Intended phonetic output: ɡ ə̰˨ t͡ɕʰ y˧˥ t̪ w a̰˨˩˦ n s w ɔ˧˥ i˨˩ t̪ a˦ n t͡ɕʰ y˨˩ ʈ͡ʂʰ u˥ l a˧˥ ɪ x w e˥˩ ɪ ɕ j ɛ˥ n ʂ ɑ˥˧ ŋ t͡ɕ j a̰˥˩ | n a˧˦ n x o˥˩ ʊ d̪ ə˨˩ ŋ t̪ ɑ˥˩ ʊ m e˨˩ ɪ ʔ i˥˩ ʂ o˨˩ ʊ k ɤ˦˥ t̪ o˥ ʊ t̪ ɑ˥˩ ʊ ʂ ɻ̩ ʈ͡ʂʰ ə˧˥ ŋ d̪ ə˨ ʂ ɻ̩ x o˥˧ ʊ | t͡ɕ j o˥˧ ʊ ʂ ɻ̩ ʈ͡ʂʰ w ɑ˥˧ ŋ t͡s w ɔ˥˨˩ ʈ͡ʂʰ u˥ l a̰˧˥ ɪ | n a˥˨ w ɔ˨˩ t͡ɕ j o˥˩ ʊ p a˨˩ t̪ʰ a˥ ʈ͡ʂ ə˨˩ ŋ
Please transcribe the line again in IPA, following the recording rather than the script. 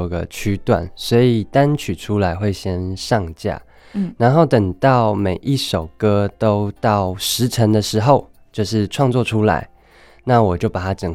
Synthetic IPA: ɡ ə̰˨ t͡ɕʰ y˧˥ t̪ w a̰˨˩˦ n s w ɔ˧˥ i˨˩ t̪ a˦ n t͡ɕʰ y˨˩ ʈ͡ʂʰ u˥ l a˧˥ ɪ x w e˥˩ ɪ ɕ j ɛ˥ n ʂ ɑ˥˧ ŋ t͡ɕ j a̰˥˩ | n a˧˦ n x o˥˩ ʊ t̪ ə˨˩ ŋ t̪ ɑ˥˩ ʊ m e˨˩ ɪ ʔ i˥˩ ʂ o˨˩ ʊ k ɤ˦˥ t̪ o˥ ʊ t̪ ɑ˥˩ ʊ ʂ ɻ̩ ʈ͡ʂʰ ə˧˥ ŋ d̪ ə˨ ʂ ɻ̩ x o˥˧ ʊ | t͡ɕ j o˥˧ ʊ ʂ ɻ̩ ʈ͡ʂʰ w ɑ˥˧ ŋ t͡s w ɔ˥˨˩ ʈ͡ʂʰ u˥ l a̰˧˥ ɪ | n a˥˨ w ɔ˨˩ t͡ɕ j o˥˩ ʊ p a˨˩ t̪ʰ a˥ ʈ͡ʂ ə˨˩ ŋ